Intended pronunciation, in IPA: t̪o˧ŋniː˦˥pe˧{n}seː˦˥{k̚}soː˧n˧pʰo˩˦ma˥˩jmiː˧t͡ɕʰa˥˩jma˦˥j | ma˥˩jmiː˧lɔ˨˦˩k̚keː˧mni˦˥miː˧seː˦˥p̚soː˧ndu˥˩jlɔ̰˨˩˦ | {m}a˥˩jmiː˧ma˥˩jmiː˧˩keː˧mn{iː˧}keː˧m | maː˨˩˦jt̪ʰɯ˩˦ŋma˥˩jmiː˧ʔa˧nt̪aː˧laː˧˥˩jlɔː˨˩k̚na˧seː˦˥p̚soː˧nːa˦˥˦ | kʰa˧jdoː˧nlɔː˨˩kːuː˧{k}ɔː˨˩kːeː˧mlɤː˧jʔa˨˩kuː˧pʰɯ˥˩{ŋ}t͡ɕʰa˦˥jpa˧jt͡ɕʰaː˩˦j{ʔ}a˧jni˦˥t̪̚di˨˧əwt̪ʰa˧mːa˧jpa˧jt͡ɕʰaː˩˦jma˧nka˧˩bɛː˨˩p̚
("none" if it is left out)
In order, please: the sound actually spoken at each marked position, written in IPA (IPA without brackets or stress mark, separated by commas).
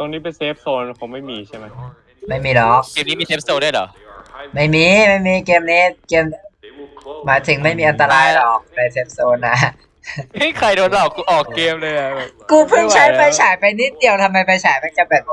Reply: n, p̚, m, iː˦˥, ʔ, ŋ, p